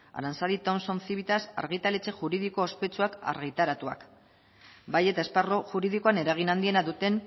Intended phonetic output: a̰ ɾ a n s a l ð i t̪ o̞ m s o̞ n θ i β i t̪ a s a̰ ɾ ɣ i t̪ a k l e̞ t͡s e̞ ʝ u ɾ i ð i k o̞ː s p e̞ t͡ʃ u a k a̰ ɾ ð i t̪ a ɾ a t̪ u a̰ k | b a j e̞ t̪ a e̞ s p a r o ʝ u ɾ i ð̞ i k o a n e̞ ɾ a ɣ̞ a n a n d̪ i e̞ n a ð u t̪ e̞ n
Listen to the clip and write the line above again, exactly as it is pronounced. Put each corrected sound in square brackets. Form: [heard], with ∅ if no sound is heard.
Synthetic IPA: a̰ ɾ a n s a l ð i t̪ o̞ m s o̞ n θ i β i t̪ a s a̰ ɾ ɣ i t̪ a [∅] l e̞ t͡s e̞ ʝ u ɾ i ð i k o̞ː s p e̞ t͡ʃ u a k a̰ ɾ [ɣ] i t̪ a ɾ a t̪ u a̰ k | b a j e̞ t̪ a e̞ s p a r o ʝ u ɾ i ð̞ i k o a n e̞ ɾ a ɣ̞ [i] n a n d̪ i e̞ n a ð u t̪ e̞ n